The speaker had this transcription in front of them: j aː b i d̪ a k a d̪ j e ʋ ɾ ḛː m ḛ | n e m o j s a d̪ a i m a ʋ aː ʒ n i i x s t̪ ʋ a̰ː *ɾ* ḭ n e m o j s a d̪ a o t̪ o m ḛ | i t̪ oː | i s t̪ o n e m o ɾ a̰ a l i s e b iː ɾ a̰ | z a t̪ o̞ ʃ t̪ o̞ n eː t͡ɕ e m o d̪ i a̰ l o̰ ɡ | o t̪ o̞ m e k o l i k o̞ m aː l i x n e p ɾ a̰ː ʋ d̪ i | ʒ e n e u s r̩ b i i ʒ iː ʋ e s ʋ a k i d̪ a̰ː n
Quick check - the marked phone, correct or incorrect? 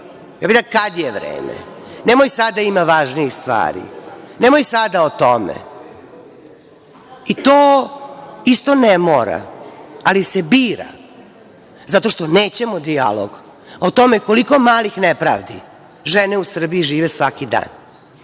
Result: correct